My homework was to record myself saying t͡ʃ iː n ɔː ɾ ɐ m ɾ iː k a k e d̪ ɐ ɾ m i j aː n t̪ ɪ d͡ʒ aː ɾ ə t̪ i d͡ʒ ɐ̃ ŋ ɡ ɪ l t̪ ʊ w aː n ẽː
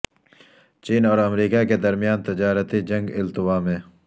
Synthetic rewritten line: t͡ʃ iː n ɔː ɾ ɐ m ɾ iː k a k e d̪ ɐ ɾ m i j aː n t̪ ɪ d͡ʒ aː ɾ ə t̪ i d͡ʒ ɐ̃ ŋ ɡ ɪ l t̪ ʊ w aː m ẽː